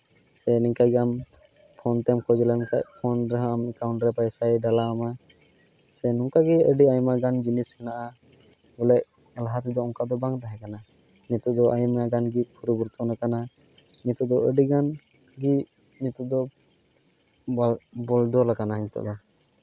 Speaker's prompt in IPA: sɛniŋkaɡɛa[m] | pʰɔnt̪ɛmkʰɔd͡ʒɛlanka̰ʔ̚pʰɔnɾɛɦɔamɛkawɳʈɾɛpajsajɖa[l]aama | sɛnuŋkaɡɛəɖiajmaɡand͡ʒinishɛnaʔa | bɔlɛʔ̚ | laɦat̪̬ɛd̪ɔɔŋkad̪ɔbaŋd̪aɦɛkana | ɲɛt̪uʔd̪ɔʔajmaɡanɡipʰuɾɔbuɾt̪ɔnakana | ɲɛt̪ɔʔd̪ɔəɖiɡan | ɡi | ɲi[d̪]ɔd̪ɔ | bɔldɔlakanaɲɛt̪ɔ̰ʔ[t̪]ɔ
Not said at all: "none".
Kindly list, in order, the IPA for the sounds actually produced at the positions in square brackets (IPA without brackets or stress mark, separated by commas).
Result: m, l, t̪, d̪